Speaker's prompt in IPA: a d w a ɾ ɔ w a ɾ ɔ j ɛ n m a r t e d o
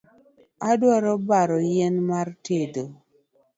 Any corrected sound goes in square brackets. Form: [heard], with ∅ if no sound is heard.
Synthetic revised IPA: a d w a ɾ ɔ [b] a ɾ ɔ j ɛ n m a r t e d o